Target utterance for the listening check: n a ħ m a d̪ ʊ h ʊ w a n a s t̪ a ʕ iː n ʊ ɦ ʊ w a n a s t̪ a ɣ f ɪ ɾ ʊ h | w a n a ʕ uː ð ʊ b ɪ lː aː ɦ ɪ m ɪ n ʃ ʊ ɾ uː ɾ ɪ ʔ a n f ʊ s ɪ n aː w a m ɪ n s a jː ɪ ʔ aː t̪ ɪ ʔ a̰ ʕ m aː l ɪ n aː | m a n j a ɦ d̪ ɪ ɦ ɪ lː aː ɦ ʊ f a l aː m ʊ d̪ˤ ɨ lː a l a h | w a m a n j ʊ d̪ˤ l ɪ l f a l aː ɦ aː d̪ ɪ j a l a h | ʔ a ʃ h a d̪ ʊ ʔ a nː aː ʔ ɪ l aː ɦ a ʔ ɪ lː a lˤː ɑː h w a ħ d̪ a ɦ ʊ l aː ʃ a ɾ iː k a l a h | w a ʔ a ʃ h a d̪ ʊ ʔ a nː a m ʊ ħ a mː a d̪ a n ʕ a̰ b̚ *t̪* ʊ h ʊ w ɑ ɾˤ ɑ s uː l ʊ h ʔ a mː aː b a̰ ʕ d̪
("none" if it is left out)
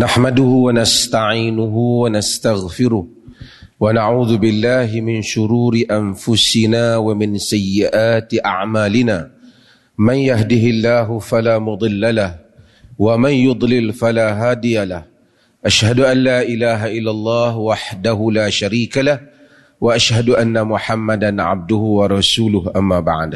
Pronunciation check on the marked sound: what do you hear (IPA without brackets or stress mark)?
d̪